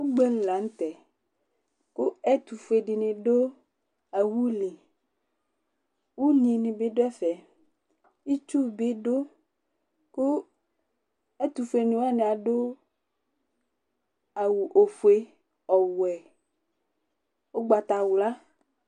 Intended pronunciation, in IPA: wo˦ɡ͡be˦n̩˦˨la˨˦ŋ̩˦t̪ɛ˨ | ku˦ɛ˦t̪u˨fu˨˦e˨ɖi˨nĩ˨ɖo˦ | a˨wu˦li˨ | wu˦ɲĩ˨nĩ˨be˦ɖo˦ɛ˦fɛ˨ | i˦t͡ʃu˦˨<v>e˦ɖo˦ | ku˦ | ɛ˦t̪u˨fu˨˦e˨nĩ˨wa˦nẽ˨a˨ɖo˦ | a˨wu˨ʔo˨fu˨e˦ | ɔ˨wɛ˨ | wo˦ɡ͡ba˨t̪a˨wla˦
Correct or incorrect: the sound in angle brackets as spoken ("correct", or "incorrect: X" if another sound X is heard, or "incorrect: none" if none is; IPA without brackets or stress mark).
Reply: incorrect: b